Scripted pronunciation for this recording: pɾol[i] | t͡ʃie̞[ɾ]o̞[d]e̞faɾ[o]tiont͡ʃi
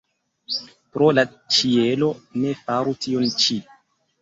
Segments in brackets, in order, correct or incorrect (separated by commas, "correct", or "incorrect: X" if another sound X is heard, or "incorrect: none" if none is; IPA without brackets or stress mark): incorrect: a, incorrect: l, incorrect: n, incorrect: u